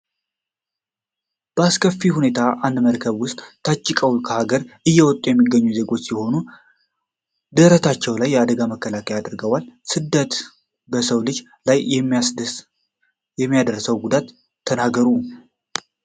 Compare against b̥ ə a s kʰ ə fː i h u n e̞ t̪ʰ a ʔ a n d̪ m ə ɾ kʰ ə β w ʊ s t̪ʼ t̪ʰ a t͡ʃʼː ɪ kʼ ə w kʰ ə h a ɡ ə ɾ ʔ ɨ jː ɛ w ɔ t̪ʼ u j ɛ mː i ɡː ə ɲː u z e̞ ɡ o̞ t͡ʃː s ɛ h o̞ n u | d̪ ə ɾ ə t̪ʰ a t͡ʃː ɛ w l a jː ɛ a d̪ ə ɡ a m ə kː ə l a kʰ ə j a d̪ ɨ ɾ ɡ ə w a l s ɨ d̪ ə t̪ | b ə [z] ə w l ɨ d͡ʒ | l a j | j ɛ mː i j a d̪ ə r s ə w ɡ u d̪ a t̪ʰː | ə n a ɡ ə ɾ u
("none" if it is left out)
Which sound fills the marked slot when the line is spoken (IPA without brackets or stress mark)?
s